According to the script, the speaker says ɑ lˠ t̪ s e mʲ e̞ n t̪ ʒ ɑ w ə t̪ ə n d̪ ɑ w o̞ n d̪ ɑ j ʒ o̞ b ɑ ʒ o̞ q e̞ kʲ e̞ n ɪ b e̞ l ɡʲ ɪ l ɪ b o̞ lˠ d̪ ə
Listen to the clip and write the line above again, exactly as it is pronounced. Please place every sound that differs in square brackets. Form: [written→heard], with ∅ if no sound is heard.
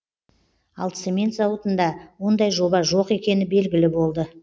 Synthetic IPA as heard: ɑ lˠ t̪ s e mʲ e̞ n t̪ [ʒ→z] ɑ w ə t̪ ə n d̪ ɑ w o̞ n d̪ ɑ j ʒ o̞ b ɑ ʒ o̞ q e̞ kʲ e̞ n ɪ b e̞ l ɡʲ ɪ l ɪ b o̞ lˠ d̪ ə